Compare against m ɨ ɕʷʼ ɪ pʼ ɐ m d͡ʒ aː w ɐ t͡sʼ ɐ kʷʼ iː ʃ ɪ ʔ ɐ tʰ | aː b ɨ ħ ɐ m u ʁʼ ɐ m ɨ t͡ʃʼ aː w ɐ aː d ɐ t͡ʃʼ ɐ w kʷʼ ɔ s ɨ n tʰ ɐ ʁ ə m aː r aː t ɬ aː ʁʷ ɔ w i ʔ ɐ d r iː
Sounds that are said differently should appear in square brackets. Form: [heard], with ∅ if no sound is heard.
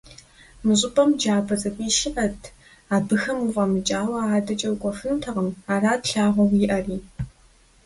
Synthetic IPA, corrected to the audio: m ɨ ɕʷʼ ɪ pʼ ɐ m d͡ʒ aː [b] ɐ t͡sʼ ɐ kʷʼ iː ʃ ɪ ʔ ɐ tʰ | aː b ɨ [x] ɐ m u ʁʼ ɐ m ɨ t͡ʃʼ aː w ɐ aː d ɐ t͡ʃʼ ɐ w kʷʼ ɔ [f] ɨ n tʰ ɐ ʁ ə m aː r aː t ɬ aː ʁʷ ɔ w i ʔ ɐ [∅] r iː

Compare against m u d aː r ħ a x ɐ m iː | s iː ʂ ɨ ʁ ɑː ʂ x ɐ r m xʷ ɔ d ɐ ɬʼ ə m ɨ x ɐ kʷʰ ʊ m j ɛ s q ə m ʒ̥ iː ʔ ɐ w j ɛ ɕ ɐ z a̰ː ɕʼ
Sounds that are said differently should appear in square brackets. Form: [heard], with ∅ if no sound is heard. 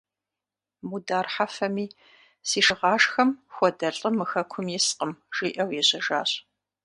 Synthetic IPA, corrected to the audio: m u d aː r ħ a [f] ɐ m iː | s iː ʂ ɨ ʁ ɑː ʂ x ɐ [∅] m xʷ ɔ d ɐ ɬʼ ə m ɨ x ɐ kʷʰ ʊ m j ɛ s q ə m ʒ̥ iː ʔ ɐ w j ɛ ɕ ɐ [ʒ] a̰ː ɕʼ

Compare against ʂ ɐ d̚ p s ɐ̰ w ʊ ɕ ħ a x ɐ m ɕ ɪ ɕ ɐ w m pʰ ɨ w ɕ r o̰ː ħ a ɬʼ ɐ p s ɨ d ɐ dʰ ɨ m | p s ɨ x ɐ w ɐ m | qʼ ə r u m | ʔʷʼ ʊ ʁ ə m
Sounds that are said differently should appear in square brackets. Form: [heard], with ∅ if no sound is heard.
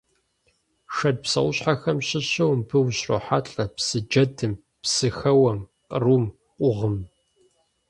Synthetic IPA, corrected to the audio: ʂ ɐ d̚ p s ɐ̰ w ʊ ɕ ħ a x ɐ m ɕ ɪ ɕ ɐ w m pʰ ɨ w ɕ r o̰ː ħ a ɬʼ ɐ p s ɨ [d͡ʒ] ɐ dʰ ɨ m | p s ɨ x ɐ w ɐ m | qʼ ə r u m | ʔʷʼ ʊ ʁ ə m

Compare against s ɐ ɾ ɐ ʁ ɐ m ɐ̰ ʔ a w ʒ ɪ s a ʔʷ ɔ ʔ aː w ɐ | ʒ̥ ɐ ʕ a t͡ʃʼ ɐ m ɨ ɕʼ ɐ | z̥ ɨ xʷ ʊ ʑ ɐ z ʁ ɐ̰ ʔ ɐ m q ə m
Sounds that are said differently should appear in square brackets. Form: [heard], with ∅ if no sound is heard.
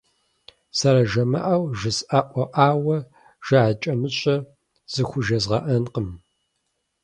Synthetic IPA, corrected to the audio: s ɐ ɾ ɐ [ʒ] ɐ m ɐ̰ ʔ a w ʒ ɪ s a ʔʷ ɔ ʔ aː w ɐ | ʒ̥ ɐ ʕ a t͡ʃʼ ɐ m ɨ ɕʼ ɐ | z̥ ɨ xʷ ʊ [ʒ] ɐ z ʁ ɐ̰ ʔ ɐ [n] q ə m

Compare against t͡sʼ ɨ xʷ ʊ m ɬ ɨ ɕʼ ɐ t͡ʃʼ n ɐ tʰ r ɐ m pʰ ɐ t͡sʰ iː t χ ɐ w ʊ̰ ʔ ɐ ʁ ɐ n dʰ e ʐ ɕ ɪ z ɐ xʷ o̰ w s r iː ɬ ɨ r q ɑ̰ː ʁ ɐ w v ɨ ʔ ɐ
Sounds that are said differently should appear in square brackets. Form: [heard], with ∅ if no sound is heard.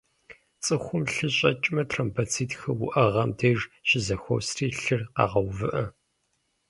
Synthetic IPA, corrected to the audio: t͡sʼ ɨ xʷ ʊ m ɬ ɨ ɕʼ ɐ t͡ʃʼ [m] ɐ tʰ r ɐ m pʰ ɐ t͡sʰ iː t [x] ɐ w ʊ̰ ʔ ɐ ʁ ɐ [m] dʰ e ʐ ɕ ɪ z ɐ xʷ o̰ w s r iː ɬ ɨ r q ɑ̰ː ʁ ɐ w v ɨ ʔ ɐ

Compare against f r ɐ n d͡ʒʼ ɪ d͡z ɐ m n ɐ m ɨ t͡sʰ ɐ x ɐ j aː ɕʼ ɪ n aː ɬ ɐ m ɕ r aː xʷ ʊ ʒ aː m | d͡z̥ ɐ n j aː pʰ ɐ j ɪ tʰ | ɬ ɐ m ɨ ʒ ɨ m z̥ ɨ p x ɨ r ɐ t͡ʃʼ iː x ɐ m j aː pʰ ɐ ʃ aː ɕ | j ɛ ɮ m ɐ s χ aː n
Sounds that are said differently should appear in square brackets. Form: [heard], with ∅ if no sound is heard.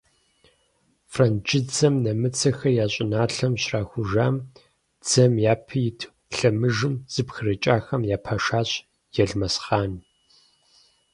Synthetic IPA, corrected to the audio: f r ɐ n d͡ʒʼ ɪ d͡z ɐ m n ɐ m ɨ t͡sʰ ɐ x ɐ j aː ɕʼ ɪ n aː ɬ ɐ m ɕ r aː xʷ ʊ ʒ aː m | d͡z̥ ɐ [m] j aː pʰ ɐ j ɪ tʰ | ɬ ɐ m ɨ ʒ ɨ m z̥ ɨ p x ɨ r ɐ t͡ʃʼ [aː] x ɐ m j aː pʰ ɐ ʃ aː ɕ | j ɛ ɮ m ɐ s χ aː n

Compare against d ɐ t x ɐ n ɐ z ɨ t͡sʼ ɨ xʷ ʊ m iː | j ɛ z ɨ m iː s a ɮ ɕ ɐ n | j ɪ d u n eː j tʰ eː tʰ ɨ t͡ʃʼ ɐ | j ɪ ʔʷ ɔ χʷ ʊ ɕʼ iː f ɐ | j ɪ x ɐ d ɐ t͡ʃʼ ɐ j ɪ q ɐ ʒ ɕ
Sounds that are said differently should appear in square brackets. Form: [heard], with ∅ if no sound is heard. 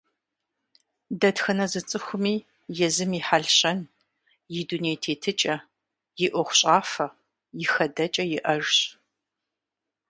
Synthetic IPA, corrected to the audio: d ɐ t x ɐ n ɐ z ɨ t͡sʼ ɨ xʷ ʊ m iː | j ɛ z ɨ m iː [ħ] a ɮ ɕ ɐ n | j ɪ d u n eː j tʰ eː tʰ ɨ t͡ʃʼ ɐ | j ɪ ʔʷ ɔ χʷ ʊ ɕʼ [aː] f ɐ | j ɪ x ɐ d ɐ t͡ʃʼ ɐ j ɪ [ʔ] ɐ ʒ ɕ

